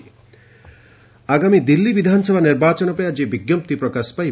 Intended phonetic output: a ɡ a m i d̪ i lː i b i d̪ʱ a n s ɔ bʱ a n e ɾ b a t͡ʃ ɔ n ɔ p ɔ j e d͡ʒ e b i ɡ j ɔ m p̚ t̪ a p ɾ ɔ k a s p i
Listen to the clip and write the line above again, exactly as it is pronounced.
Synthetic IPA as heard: a ɡ a m i d̪ i lː i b i d̪ʱ a n s ɔ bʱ a n i ɾ b a t͡ʃ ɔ n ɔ p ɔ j a d͡ʒ e b i ɡ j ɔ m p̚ t̪ i p ɾ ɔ k a s p a